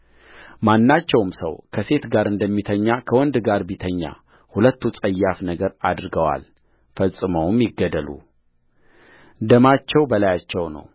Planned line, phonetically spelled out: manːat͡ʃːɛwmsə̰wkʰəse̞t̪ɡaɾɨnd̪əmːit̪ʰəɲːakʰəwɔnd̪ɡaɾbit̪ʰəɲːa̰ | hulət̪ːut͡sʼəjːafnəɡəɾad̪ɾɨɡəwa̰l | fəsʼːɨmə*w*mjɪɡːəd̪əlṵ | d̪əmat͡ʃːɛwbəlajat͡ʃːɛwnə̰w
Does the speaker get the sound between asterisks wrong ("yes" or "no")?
no